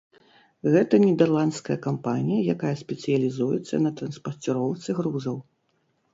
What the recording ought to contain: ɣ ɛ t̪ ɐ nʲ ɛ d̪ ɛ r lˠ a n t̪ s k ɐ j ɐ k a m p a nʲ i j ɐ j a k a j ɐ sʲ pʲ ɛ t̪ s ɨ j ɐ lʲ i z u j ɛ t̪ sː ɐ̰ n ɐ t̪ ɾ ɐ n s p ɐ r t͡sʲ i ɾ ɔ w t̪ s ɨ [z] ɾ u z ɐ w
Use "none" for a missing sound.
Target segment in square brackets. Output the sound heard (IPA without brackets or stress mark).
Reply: ɣ